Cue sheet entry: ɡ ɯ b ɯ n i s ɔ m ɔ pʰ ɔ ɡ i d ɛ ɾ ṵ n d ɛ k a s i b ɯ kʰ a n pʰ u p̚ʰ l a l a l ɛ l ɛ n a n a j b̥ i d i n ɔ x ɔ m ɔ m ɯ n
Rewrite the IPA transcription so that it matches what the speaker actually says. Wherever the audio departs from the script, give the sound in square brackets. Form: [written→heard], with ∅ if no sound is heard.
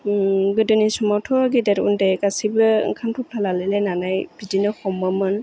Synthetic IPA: ɡ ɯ [b→d] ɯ n i s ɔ m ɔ [pʰ→tʰ] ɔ ɡ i d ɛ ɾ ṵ n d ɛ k a s i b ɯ kʰ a n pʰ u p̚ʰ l a l a l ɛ l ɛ n a n a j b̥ i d i n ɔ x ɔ m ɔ m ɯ n